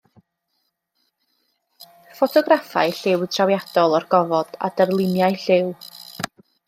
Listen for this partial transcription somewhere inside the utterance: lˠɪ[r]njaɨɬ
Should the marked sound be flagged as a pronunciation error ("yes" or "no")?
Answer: yes